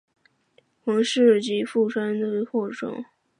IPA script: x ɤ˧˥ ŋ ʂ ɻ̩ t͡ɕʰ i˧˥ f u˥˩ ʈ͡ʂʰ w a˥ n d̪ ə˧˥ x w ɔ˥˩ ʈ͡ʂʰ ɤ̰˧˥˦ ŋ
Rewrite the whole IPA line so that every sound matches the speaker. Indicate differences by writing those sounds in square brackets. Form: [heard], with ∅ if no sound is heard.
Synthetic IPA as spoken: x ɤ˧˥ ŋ ʂ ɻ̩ [t͡ɕ] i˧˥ f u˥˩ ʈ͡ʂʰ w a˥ n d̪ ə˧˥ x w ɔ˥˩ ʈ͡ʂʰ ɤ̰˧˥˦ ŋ